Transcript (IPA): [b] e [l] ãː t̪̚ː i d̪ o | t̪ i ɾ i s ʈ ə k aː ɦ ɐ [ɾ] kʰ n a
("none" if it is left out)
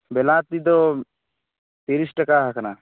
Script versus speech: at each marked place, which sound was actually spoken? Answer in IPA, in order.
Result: b, l, none

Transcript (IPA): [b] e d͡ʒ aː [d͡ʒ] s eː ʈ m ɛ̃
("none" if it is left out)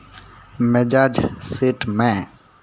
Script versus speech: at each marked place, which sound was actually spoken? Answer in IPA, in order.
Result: m, d͡ʒ

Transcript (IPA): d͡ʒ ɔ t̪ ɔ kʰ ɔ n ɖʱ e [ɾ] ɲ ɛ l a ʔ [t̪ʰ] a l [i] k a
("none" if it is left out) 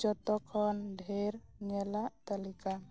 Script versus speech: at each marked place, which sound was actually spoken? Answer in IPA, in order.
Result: ɾ, t̪, i

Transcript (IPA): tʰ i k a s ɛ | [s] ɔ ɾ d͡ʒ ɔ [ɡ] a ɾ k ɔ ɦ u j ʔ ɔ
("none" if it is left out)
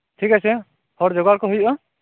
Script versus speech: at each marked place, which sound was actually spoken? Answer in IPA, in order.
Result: h, ɡ

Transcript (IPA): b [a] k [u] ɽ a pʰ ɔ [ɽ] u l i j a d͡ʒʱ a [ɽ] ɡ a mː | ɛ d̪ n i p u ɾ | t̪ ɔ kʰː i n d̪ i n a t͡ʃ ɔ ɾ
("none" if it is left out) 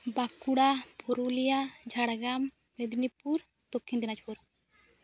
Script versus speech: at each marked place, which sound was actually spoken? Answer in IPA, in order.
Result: a, u, ɾ, ɽ

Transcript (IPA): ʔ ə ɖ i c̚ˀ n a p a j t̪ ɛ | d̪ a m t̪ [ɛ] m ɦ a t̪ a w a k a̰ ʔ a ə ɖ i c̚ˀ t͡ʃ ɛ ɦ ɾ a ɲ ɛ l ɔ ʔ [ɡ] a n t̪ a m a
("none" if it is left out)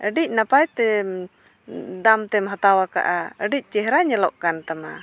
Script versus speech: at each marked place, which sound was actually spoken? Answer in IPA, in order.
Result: ɛ, k

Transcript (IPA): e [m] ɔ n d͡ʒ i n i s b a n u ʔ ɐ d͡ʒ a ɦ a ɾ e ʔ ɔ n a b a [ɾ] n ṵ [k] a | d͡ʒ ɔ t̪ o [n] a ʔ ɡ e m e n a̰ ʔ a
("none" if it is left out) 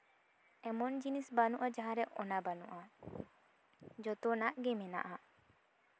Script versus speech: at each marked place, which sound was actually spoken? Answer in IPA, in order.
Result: m, none, ʔ, n

